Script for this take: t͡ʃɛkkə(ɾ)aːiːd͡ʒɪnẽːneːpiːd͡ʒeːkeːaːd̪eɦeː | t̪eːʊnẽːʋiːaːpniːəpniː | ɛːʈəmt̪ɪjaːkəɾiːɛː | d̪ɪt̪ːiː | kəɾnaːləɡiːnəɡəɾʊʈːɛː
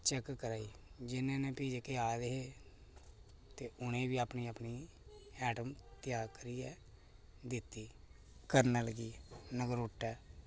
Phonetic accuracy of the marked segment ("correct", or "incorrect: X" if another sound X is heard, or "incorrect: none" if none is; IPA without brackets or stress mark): correct